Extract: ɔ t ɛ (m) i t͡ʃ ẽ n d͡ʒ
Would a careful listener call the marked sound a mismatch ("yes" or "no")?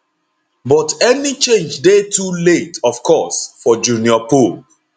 yes